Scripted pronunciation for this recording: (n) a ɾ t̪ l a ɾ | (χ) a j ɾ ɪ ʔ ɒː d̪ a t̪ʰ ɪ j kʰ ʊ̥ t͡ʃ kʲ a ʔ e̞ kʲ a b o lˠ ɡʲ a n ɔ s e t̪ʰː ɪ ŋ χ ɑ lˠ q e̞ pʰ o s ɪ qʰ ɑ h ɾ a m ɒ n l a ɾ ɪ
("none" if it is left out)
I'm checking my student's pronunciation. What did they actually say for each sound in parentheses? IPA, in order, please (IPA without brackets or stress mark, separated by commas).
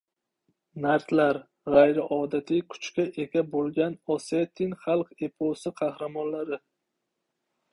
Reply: n, ʁ